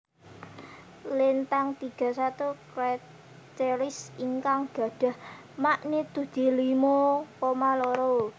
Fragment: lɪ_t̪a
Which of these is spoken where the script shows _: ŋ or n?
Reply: n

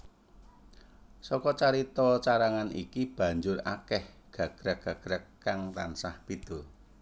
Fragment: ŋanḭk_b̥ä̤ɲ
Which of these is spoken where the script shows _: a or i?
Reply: i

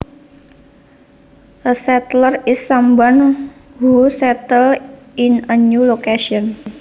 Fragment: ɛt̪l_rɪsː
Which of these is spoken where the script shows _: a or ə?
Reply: ə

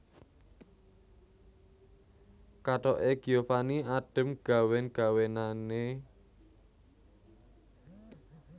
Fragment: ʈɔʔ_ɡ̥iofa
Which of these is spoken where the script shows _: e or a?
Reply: e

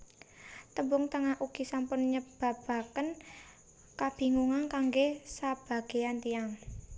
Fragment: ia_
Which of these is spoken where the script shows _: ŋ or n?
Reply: ŋ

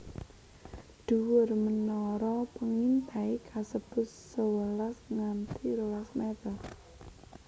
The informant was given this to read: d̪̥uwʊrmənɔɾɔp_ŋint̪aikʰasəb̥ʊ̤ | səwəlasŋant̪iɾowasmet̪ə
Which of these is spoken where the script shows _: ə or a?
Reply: ə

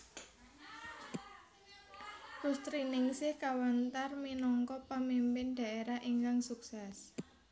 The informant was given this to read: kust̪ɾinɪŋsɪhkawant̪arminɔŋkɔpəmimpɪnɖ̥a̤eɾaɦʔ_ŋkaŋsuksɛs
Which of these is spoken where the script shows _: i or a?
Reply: i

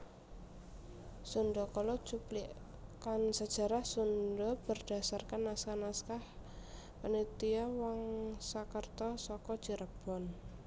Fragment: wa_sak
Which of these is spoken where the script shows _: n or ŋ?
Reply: ŋ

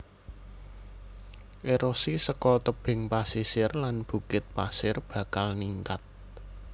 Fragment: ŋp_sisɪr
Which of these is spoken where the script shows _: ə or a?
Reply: a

